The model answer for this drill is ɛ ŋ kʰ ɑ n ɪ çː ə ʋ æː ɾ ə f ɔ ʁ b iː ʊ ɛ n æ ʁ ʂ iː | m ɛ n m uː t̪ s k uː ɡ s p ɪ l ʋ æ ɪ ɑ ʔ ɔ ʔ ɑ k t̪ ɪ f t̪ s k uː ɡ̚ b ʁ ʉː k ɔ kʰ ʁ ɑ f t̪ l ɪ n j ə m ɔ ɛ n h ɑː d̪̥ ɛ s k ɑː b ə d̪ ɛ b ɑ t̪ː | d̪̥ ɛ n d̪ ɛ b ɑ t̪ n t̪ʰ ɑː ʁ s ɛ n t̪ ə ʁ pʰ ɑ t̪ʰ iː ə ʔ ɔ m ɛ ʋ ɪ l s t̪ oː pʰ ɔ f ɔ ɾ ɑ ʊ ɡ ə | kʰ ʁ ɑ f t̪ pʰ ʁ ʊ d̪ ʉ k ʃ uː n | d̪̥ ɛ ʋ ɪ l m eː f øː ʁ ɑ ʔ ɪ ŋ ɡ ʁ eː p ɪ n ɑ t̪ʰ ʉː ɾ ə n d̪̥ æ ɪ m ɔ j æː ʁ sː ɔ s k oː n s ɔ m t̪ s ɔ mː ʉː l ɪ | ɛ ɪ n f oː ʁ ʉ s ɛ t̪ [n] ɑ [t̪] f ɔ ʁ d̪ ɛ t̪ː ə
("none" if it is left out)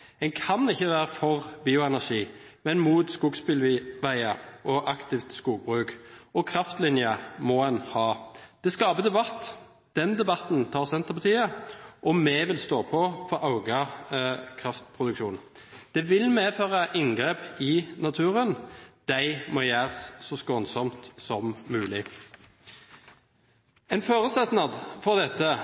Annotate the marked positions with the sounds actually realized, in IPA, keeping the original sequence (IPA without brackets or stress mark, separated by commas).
n, d̪